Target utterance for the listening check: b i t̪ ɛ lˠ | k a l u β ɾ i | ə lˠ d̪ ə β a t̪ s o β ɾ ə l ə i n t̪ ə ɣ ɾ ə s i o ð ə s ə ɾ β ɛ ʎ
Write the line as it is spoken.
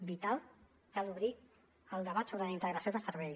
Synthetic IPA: b i t̪ a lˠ | k a l u β ɾ i | ə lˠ d̪ ə β a t̪ s o β ɾ ə l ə i n t̪ ə ɣ ɾ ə s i o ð ə s ə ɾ β ɛ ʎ